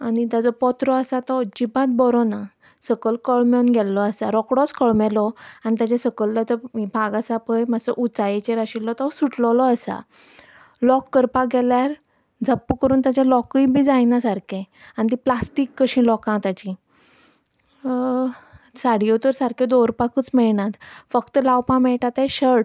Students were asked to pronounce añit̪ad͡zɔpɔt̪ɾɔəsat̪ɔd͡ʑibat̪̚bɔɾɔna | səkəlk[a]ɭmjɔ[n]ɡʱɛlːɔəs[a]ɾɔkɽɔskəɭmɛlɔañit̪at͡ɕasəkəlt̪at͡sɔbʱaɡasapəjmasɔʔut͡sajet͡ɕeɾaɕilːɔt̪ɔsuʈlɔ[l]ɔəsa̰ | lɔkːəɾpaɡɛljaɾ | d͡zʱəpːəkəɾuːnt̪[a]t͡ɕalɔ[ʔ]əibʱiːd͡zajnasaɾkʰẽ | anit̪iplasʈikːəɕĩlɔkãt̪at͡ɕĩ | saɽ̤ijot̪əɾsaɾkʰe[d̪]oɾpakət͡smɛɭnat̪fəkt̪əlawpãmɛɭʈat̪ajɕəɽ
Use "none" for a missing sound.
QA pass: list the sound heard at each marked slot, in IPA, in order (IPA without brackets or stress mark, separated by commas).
ə, n, a, l, a, k, d̪